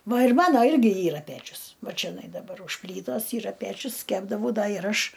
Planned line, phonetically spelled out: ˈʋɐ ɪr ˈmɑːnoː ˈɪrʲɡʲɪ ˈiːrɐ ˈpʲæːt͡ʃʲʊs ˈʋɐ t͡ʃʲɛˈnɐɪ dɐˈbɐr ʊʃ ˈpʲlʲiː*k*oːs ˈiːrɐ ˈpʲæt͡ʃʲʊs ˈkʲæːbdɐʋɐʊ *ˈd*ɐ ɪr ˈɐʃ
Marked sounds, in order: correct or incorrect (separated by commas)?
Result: incorrect, correct